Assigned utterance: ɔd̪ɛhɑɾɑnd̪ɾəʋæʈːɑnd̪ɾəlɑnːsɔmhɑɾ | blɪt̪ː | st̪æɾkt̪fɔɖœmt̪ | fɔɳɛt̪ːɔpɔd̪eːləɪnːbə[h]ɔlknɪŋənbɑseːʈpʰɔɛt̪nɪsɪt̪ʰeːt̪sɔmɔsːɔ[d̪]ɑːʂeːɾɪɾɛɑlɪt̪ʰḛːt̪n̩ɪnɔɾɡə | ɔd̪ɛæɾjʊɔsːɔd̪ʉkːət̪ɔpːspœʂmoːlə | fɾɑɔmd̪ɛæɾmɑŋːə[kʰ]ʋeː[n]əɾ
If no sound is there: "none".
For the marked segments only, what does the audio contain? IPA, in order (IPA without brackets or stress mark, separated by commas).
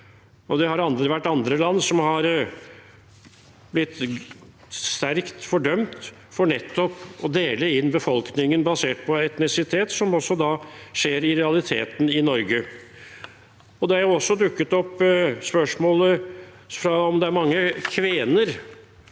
f, d̪, kʰ, n